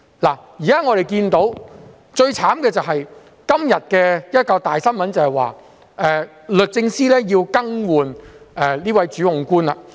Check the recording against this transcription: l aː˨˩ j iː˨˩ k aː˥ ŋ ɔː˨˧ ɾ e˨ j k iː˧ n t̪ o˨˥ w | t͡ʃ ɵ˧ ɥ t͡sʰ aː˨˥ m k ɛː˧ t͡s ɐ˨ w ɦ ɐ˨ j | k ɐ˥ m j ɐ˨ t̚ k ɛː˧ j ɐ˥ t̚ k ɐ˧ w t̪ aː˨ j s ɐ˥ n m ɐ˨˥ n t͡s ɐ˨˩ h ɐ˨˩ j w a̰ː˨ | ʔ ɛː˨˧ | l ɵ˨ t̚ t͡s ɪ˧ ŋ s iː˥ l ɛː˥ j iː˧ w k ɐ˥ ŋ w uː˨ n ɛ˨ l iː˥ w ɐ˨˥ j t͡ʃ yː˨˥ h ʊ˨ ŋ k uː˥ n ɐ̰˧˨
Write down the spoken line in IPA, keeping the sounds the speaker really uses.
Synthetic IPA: l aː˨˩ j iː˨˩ k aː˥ ŋ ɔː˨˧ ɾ e˨ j k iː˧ n t̪ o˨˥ w | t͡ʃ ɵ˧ ɥ t͡sʰ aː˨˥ m k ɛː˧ t͡s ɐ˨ w ɦ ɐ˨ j | k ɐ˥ m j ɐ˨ t̚ k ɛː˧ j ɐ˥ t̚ k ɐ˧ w t̪ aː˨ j s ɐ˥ n m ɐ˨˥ n t͡s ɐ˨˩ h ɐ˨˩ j w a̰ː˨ | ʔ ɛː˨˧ | l ɵ˨ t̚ t͡s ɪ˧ ŋ s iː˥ l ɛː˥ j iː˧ w k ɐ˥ ŋ w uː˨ n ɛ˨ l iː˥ w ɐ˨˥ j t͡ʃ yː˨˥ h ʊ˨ ŋ k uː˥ n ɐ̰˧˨